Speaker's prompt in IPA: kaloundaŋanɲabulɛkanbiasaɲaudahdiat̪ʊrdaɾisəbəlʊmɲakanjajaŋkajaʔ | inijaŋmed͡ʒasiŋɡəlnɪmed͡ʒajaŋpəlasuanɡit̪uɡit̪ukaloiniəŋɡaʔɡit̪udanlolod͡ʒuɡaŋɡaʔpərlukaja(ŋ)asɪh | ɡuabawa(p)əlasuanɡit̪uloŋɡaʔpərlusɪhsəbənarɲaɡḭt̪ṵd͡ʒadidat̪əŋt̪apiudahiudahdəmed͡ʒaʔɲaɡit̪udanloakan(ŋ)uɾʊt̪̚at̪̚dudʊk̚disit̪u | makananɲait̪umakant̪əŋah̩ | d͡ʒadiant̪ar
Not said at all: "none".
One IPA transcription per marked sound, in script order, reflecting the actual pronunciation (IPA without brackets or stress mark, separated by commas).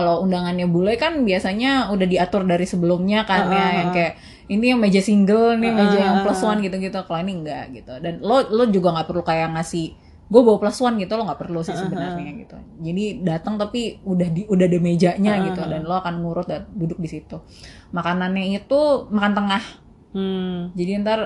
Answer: ŋ, p, ŋ